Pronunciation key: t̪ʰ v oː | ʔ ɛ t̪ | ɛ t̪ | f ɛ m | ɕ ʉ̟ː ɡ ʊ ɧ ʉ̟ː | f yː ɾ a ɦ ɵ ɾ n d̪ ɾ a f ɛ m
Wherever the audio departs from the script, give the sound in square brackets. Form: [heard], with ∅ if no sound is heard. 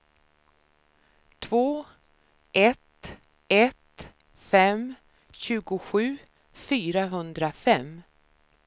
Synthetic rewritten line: t̪ʰ v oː | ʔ ɛ t̪ | ɛ t̪ | f ɛ m | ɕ ʉ̟ː ɡ ʊ ɧ ʉ̟ː | f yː ɾ a ɦ ɵ [∅] n d̪ ɾ a f ɛ m